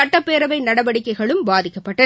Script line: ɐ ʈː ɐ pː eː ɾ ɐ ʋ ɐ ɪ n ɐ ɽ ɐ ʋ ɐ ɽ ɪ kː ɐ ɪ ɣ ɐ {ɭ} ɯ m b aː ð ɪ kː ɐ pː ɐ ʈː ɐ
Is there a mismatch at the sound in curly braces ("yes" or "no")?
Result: no